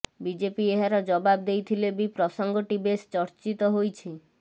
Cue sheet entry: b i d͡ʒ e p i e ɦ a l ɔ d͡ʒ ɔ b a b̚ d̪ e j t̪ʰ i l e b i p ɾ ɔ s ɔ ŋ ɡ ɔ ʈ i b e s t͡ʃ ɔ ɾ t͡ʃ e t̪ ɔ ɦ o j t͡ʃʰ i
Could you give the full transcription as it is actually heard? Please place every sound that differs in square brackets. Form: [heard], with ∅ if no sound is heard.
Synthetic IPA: b i d͡ʒ e p i e ɦ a [ɾ] ɔ d͡ʒ ɔ b a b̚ d̪ e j t̪ʰ i l e b i p ɾ ɔ s ɔ ŋ ɡ ɔ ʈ i b e s t͡ʃ ɔ ɾ t͡ʃ [i] t̪ ɔ ɦ o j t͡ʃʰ i